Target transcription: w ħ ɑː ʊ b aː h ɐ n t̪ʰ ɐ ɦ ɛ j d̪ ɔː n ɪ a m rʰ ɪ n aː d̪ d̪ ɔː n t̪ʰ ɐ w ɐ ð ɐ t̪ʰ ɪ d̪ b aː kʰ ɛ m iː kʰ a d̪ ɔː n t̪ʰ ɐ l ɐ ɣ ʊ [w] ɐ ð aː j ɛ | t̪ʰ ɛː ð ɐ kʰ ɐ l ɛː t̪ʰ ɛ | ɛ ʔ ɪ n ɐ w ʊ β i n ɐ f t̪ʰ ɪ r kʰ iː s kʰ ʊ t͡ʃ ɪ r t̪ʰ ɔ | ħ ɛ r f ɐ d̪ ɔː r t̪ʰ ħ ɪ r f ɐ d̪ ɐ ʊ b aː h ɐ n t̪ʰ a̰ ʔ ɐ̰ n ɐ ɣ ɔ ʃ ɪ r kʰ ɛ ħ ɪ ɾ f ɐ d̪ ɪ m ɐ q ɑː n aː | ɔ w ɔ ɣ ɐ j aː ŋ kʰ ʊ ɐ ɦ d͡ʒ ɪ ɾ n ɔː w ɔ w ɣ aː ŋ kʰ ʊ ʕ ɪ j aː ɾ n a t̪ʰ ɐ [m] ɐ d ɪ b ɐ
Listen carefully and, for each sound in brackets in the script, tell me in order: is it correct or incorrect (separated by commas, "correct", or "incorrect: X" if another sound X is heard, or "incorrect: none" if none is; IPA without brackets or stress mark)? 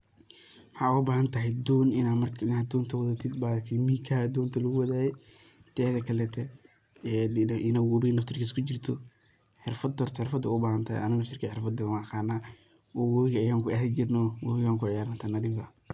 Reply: correct, incorrect: n